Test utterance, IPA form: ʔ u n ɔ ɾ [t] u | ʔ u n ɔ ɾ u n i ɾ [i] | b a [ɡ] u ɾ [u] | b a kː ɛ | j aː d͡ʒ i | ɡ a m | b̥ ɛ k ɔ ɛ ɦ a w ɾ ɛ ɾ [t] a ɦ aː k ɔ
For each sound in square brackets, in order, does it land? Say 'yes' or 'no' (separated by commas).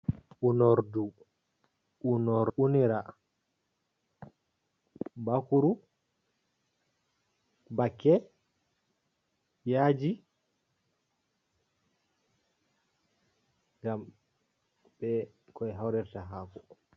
no, no, no, yes, yes